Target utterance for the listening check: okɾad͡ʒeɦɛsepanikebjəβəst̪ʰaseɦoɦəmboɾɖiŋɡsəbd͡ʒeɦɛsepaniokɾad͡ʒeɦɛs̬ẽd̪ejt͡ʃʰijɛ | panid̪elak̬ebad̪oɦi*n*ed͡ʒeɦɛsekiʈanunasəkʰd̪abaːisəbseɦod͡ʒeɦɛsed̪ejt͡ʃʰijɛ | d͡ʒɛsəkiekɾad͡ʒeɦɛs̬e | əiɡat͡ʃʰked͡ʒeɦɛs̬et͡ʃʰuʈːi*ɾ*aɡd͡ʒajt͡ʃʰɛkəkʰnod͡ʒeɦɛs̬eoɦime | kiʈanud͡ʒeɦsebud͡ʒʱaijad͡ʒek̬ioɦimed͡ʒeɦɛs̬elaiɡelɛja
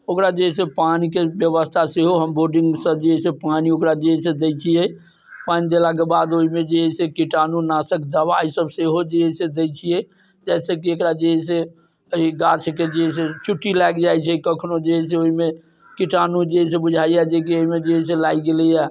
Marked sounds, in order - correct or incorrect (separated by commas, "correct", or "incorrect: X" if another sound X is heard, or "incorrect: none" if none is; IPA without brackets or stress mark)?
incorrect: m, incorrect: l